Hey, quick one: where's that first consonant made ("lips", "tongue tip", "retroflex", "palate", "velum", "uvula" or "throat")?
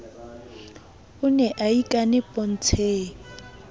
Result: tongue tip